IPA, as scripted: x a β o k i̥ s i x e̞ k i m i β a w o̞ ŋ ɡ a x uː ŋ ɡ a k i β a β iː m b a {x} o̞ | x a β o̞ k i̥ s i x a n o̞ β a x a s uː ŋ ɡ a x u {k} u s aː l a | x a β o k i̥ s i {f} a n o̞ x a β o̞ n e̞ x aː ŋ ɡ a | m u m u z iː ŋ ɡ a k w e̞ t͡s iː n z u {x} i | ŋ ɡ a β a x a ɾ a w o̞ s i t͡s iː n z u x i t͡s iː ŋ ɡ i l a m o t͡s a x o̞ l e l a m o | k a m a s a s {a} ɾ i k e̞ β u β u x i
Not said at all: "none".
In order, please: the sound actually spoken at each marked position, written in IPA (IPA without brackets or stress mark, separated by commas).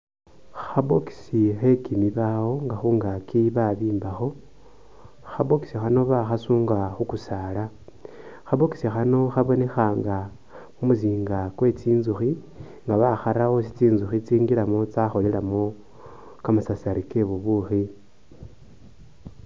x, k, x, x, a